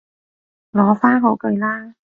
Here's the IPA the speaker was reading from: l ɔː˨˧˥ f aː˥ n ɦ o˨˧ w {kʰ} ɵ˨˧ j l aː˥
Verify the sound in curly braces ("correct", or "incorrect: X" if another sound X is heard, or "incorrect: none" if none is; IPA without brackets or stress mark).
incorrect: k